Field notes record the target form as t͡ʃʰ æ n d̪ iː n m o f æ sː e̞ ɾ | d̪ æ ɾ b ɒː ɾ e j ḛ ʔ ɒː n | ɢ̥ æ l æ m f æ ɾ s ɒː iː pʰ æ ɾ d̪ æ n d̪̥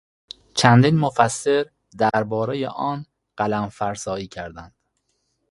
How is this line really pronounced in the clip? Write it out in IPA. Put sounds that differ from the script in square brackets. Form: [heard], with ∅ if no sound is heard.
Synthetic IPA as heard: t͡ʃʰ æ n d̪ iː n m o f æ sː e̞ ɾ | d̪ æ ɾ b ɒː ɾ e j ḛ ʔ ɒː n | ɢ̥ æ l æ m f æ ɾ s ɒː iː [cʰ] æ ɾ d̪ æ n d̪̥